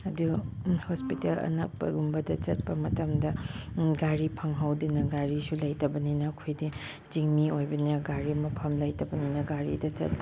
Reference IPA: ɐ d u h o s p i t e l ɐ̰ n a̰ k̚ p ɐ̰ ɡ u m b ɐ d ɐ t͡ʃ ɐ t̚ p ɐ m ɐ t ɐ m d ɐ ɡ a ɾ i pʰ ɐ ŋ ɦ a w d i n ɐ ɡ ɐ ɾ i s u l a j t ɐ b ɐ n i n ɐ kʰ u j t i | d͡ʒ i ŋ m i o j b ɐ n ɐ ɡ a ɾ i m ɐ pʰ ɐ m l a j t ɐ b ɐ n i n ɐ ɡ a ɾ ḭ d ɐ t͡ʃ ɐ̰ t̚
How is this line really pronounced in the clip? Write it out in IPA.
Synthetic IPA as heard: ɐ d u h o s p i t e l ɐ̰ n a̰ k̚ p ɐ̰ ɡ u m b ɐ d ɐ t͡ʃ ɐ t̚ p ɐ m ɐ t ɐ m d ɐ ɡ a ɾ i pʰ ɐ ŋ ɦ a w d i n ɐ ɡ a ɾ i s u l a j t ɐ b ɐ n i n ɐ kʰ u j d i | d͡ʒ i ŋ m i o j b ɐ n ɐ ɡ a ɾ i m ɐ pʰ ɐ m l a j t ɐ b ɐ n i n ɐ ɡ a ɾ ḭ d ɐ t͡ʃ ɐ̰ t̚